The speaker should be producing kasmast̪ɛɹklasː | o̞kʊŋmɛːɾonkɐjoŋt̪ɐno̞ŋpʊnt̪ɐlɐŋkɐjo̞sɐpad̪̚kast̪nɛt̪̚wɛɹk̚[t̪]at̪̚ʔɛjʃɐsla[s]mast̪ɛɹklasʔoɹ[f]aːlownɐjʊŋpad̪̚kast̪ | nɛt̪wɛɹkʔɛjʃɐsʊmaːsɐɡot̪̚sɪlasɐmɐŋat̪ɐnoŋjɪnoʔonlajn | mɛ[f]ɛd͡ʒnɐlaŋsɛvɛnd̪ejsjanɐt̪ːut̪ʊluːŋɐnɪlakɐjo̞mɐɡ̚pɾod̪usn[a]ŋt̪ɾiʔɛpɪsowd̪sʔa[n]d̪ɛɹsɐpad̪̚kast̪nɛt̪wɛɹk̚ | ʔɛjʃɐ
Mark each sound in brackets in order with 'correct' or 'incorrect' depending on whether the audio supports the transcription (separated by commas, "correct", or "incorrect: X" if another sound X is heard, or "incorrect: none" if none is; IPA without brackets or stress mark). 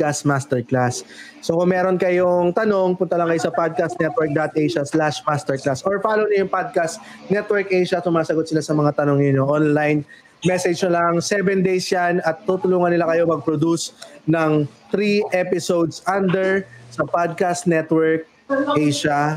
incorrect: d̪, incorrect: ʃ, correct, incorrect: s, incorrect: ɐ, correct